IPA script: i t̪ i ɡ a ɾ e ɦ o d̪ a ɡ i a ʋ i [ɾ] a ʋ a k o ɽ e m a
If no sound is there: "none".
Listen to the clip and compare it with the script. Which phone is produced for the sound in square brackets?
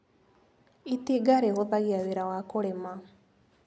ɾ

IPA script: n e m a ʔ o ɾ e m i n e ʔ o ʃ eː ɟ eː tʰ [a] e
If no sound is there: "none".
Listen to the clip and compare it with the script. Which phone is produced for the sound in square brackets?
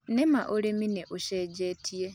i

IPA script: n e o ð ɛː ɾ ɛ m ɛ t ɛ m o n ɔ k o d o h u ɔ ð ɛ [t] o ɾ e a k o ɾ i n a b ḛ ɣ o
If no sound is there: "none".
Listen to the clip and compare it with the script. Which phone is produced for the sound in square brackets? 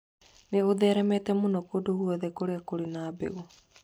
k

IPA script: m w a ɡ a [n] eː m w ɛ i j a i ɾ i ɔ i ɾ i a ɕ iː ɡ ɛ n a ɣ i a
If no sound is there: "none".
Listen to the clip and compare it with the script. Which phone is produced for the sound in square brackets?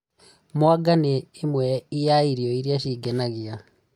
n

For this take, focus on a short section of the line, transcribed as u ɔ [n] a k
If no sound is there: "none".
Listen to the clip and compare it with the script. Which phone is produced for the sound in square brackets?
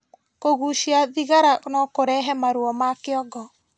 m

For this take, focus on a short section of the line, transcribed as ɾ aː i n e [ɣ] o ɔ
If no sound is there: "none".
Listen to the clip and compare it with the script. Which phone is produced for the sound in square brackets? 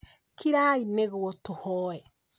ɣ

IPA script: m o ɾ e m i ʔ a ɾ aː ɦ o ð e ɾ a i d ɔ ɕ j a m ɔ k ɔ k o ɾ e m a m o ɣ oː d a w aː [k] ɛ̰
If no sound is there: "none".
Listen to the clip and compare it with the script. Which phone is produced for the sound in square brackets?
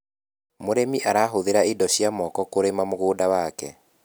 k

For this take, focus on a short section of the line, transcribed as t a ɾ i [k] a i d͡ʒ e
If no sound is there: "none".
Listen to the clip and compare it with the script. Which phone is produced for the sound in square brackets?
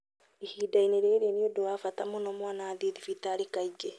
k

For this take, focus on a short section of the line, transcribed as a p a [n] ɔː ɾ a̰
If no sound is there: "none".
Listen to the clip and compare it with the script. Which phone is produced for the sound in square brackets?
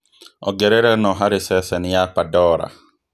d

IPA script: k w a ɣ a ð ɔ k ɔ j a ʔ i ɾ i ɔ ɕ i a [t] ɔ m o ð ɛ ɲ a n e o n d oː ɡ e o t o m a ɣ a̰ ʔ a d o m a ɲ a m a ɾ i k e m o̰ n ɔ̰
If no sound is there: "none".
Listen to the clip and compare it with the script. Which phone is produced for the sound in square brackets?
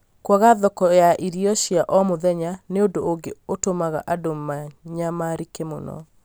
ʔ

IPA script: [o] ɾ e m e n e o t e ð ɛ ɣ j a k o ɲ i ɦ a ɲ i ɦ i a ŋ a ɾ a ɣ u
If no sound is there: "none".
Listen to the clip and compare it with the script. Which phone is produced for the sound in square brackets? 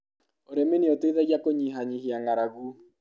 o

